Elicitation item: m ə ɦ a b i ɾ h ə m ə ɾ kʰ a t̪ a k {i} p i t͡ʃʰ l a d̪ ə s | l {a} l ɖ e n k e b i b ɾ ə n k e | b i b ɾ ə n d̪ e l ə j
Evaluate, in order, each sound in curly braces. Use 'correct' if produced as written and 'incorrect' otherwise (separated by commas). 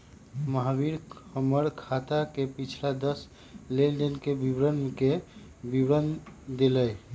incorrect, incorrect